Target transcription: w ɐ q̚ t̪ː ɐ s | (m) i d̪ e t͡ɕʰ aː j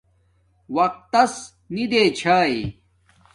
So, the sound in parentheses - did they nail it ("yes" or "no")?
no